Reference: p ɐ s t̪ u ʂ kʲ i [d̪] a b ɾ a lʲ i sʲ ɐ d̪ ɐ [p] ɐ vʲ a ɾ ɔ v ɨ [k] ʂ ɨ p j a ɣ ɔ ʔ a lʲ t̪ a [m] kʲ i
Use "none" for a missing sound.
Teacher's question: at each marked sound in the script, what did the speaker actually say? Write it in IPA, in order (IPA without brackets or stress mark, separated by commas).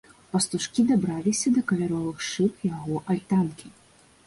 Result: d̪, k, x, n